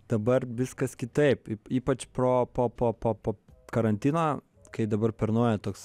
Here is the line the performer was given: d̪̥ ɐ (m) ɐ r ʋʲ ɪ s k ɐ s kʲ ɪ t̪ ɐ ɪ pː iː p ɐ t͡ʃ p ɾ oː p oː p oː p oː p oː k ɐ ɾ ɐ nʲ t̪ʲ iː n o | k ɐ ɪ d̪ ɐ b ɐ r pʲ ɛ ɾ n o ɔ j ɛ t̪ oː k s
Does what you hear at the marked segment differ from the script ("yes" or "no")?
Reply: yes